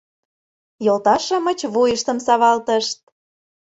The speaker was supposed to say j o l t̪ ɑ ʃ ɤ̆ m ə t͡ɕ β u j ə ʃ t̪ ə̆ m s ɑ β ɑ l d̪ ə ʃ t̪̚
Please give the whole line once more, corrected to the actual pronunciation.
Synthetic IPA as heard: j o l t̪ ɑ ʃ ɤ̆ m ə t͡ɕ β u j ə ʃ t̪ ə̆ m s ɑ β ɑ l t̪ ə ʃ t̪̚

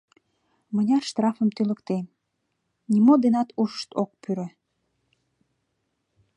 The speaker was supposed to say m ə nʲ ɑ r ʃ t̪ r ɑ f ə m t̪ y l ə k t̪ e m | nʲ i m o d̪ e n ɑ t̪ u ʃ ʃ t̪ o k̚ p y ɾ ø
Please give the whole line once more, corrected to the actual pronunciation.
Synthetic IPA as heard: m ə nʲ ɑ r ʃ t̪ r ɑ f ə m t̪ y l ə k t̪ e m | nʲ i m o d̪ e n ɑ t̪ u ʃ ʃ t̪ o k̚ p y ɾ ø

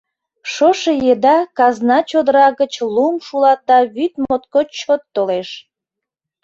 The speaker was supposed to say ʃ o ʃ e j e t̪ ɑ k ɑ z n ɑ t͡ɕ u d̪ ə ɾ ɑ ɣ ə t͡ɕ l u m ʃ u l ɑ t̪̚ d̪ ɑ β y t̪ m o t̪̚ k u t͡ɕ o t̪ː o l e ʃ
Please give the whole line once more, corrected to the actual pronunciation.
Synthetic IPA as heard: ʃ o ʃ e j e d̪ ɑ k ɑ z n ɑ t͡ɕ o d̪ ə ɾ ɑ ɣ ə t͡ɕ l u m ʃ u l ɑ t̪̚ d̪ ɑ β y t̪ m o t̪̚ k o t͡ɕ o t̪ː o l e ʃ

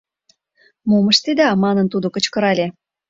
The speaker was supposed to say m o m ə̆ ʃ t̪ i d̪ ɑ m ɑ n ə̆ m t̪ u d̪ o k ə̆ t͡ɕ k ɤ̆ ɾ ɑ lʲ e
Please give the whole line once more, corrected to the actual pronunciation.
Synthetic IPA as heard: m o m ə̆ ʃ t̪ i d̪ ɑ m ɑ n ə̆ n t̪ u d̪ o k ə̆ t͡ɕ k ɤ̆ ɾ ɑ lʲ e

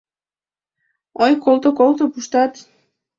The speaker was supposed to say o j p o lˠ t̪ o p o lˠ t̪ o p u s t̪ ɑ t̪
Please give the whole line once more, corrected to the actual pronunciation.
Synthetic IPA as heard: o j k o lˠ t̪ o k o lˠ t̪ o p u ʃ t̪ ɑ t̪

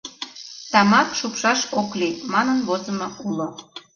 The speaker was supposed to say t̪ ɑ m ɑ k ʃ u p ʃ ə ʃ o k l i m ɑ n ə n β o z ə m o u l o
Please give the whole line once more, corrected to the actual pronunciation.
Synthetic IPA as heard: t̪ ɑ m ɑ k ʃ u p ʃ ɑ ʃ o k l i m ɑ n ə n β o z ə m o u l o

